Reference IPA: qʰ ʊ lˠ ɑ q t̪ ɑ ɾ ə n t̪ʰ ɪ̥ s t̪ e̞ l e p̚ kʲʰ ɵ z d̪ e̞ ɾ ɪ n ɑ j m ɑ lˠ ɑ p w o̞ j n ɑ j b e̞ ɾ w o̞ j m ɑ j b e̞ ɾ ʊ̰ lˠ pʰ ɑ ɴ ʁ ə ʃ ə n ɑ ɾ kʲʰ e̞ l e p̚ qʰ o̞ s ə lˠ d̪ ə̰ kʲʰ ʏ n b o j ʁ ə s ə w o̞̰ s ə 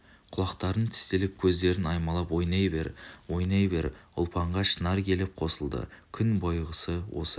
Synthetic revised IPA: qʰ ʊ lˠ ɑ q t̪ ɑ ɾ ə n t̪ʰ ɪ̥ s t̪ e̞ l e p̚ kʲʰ ɵ z d̪ e̞ ɾ ɪ n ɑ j m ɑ lˠ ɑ p w o̞ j n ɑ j b e̞ ɾ w o̞ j n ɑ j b e̞ ɾ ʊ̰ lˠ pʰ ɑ ɴ ʁ ɑ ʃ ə n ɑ ɾ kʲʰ e̞ l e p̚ qʰ o̞ s ə lˠ d̪ ə̰ kʲʰ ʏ n b o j ʁ ə s ə w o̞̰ s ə